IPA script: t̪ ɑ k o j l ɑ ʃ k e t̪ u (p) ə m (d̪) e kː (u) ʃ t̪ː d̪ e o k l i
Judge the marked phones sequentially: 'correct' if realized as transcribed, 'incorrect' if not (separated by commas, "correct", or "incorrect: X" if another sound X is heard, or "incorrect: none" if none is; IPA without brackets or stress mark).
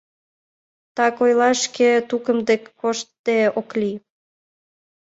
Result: incorrect: k, correct, incorrect: o